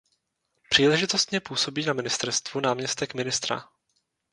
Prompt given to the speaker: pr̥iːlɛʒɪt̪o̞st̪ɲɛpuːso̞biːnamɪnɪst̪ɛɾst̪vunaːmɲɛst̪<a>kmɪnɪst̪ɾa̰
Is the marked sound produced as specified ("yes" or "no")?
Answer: no